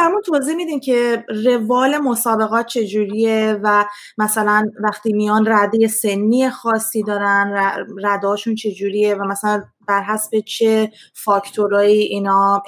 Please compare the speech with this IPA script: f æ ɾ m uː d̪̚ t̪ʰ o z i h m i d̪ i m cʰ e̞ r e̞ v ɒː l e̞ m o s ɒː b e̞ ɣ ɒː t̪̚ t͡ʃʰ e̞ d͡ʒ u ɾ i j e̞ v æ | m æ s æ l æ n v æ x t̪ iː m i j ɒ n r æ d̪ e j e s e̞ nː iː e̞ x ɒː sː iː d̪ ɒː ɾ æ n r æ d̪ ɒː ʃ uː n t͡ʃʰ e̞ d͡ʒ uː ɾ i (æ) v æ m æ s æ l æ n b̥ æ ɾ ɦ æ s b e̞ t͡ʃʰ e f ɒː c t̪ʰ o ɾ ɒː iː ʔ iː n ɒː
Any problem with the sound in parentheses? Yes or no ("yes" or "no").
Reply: yes